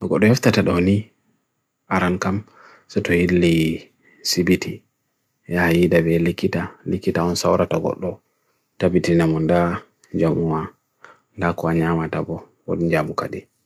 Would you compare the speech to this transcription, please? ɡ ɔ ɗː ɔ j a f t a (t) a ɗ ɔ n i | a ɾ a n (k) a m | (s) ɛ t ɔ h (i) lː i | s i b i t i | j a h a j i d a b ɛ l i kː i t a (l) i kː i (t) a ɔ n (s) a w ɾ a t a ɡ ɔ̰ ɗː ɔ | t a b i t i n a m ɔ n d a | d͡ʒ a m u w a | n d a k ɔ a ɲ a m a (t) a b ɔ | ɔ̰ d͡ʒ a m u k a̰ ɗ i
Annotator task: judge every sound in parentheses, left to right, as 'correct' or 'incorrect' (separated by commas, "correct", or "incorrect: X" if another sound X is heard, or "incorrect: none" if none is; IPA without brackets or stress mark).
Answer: correct, correct, correct, correct, correct, correct, correct, correct